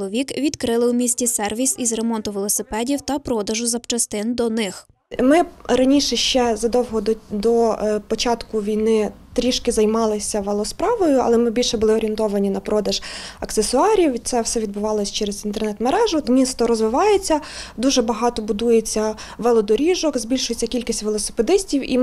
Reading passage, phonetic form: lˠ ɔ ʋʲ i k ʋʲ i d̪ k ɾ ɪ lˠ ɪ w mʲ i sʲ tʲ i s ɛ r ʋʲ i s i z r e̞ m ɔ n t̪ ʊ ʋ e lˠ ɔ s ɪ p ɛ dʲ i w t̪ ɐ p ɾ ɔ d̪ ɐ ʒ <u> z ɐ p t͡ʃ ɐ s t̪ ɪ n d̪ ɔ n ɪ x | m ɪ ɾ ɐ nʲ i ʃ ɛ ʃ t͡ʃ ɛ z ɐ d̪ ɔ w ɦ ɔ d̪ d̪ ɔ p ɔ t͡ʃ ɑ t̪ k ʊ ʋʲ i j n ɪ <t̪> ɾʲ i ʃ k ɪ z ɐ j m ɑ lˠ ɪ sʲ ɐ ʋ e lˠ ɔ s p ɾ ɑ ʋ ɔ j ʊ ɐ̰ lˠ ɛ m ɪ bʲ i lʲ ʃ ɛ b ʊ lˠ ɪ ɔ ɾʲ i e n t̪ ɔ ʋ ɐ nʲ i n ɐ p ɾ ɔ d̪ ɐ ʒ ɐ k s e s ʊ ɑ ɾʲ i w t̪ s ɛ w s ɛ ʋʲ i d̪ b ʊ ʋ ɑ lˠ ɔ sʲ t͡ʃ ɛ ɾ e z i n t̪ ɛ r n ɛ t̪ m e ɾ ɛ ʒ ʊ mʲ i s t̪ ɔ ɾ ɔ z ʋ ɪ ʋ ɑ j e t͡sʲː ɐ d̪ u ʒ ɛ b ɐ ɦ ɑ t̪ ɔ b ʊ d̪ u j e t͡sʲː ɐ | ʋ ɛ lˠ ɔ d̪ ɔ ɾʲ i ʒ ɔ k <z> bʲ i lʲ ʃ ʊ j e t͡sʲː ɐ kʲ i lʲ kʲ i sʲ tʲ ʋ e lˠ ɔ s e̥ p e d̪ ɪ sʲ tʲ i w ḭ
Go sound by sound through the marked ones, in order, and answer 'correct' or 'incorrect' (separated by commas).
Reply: incorrect, correct, correct